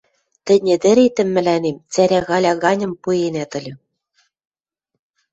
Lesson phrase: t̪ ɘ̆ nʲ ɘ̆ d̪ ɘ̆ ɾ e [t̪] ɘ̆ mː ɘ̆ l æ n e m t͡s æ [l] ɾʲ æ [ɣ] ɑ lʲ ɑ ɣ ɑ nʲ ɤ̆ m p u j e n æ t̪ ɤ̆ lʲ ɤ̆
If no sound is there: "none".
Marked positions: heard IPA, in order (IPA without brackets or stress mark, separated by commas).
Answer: t̪, none, ɣ